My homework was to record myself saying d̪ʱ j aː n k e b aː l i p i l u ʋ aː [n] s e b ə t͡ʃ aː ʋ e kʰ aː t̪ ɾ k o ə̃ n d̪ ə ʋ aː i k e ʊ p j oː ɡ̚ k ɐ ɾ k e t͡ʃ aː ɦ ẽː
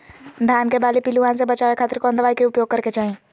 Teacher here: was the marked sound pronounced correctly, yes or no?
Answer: yes